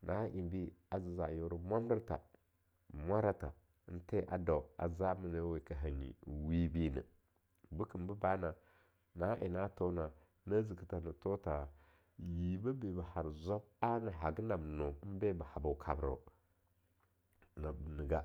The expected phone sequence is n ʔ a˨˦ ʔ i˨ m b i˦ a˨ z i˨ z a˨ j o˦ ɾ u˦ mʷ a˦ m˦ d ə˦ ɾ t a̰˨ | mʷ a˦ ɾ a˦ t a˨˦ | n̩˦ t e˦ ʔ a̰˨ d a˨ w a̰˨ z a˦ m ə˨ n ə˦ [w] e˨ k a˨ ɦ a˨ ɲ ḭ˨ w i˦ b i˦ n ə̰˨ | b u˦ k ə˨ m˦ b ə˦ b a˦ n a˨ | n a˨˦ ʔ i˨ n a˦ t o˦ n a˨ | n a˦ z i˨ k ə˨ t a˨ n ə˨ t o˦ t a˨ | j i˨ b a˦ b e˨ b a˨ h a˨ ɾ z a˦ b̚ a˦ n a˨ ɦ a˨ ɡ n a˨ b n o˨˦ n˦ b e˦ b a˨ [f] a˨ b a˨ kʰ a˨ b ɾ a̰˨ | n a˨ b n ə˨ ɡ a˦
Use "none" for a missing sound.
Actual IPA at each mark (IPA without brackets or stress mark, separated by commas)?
w, h